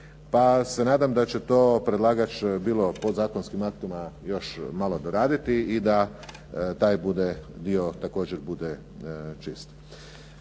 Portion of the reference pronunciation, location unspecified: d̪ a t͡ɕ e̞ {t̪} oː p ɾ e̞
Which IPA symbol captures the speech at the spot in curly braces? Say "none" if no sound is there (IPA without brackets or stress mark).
t̪